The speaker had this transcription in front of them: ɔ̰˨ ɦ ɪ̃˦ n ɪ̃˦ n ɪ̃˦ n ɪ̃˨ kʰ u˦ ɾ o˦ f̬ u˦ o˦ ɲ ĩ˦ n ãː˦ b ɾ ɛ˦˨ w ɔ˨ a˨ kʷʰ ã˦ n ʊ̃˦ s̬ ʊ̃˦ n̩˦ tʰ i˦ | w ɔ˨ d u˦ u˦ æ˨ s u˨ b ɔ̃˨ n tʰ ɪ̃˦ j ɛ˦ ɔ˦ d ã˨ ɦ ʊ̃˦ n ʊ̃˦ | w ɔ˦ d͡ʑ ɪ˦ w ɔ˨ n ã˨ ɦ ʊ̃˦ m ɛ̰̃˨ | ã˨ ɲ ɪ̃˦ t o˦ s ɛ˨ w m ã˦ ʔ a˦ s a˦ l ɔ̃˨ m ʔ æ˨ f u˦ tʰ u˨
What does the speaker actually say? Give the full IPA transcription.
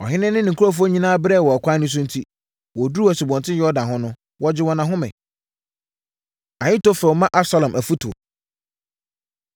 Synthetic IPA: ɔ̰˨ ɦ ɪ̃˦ n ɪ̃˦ n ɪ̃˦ n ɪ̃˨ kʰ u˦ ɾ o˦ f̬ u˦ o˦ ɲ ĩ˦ n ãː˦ b ɾ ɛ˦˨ w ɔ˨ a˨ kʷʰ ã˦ n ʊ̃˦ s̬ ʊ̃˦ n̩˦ tʰ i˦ | w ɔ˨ d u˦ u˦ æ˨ s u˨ b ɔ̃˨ n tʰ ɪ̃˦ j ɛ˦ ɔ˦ d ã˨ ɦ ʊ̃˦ n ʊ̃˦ | w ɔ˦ d͡ʑ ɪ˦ w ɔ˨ n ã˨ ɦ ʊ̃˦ m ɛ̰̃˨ | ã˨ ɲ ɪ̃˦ t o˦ f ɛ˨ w m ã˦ ʔ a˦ s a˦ l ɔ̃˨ m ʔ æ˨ f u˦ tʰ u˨